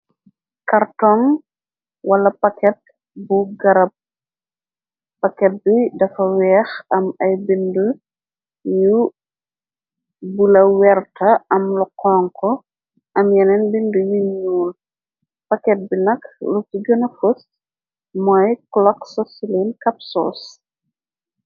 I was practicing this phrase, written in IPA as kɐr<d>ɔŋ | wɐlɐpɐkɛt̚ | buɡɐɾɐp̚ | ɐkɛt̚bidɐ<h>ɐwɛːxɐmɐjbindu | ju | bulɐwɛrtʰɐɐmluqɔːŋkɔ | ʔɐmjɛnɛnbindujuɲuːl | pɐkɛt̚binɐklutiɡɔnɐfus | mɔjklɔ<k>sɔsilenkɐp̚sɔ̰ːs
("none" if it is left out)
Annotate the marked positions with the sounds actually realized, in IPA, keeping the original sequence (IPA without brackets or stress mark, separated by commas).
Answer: t, f, k